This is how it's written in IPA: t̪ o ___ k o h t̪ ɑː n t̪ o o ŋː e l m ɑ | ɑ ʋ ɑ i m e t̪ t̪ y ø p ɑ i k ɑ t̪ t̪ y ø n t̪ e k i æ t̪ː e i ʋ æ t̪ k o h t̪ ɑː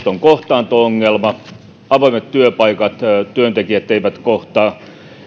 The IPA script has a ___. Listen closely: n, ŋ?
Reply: ŋ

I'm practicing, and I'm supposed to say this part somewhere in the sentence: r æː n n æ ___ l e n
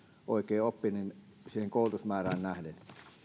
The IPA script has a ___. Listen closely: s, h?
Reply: h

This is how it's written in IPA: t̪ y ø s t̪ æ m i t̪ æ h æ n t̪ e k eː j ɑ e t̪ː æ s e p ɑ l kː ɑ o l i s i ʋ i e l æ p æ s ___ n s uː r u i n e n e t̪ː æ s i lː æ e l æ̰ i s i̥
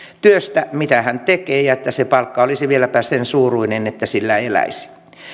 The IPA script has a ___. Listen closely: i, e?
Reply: e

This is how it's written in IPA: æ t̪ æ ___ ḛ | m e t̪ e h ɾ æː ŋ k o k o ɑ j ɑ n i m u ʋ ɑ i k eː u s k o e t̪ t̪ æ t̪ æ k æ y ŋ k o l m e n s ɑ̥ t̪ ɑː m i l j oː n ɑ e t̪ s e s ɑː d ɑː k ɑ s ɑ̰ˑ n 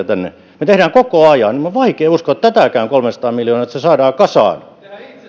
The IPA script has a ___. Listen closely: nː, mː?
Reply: nː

